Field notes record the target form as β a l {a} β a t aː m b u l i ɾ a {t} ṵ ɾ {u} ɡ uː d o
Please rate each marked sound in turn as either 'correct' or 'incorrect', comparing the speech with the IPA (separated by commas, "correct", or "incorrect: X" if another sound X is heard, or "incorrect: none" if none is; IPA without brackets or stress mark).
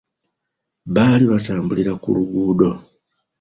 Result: incorrect: i, incorrect: k, correct